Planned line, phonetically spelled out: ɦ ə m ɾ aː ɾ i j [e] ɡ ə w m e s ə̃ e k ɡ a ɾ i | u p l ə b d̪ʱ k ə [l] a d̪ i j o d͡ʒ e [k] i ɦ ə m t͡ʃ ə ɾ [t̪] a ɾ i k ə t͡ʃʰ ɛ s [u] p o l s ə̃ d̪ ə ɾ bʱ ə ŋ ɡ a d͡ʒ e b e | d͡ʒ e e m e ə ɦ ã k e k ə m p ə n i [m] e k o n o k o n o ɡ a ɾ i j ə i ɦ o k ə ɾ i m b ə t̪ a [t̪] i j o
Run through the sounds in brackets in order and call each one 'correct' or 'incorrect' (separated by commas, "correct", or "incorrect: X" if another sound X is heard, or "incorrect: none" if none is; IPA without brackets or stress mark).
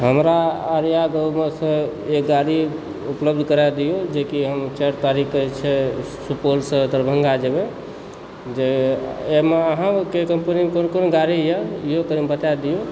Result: incorrect: a, incorrect: ɾ, correct, correct, correct, correct, incorrect: d̪